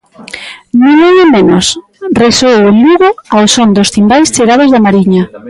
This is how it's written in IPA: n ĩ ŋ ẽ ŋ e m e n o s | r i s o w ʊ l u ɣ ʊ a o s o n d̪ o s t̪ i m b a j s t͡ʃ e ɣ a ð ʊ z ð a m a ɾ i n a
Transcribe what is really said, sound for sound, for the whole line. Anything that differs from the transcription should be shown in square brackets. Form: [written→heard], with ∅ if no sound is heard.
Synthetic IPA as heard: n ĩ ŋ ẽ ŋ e m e n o s | r [i→e] s o w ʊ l u ɣ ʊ a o s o n d̪ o s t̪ i m b a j s t͡ʃ e ɣ a ð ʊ z ð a m a ɾ i [n→ɲ] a